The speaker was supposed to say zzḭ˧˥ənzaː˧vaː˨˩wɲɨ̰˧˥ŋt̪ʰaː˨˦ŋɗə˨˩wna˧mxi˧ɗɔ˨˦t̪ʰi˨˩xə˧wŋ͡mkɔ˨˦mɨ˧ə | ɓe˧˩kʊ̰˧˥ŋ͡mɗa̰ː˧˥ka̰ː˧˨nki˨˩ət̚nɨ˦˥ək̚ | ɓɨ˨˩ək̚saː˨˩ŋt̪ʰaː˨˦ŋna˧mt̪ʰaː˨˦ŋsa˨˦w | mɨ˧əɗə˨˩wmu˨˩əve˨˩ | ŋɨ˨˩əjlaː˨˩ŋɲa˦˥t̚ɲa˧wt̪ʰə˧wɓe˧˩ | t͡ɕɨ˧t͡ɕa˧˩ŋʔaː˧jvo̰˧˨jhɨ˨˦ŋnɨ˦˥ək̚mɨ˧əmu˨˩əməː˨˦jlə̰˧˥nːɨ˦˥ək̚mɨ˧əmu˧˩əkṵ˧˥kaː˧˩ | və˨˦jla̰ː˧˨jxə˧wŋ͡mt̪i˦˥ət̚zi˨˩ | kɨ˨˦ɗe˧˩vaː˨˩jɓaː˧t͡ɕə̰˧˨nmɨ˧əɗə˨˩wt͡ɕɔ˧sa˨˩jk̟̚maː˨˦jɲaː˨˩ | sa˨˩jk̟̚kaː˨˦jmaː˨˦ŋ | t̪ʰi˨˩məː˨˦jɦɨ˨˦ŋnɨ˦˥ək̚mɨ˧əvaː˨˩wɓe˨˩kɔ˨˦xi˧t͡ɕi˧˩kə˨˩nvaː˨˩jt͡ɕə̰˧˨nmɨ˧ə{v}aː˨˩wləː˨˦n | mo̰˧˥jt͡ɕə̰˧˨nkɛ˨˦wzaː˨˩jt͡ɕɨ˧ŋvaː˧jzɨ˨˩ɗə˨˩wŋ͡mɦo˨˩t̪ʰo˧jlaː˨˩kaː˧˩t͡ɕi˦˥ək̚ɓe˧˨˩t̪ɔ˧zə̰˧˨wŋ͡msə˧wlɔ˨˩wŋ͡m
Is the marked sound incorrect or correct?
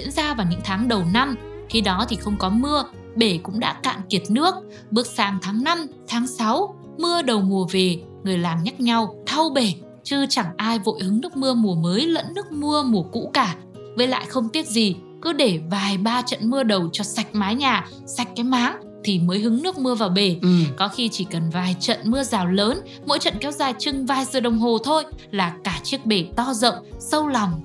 incorrect